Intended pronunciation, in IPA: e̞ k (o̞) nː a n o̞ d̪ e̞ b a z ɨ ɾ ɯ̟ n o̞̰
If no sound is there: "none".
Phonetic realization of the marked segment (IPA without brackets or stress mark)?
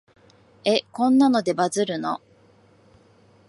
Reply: õ̞